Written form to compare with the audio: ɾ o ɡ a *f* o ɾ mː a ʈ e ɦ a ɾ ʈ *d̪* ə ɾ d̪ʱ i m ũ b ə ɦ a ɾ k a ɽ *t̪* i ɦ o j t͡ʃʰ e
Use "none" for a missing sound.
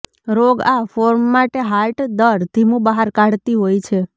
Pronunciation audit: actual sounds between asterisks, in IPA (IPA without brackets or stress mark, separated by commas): f, d̪, t̪